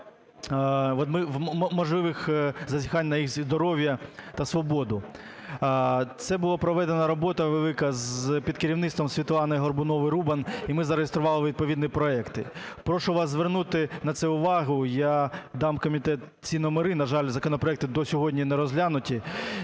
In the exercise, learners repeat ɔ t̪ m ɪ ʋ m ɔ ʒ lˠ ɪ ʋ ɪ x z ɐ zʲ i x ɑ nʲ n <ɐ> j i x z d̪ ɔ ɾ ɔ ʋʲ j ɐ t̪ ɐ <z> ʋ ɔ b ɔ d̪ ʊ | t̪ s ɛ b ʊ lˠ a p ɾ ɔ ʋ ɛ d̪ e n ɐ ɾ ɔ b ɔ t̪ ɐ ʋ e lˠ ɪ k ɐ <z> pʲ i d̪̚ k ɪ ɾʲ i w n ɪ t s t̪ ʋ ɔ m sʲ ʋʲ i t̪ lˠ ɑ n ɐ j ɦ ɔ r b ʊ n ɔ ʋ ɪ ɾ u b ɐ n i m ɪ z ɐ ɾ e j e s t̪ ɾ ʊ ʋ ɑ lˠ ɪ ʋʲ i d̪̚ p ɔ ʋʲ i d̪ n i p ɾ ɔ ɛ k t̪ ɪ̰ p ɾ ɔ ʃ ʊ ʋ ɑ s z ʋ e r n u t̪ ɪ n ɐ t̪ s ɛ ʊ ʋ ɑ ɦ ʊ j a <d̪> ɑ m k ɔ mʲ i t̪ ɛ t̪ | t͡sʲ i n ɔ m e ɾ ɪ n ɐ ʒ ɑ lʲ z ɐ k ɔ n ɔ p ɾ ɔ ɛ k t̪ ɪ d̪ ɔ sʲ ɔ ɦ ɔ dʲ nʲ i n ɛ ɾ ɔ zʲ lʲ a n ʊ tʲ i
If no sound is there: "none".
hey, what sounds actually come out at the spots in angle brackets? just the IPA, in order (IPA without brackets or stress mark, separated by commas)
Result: ɐ, s, z, d̪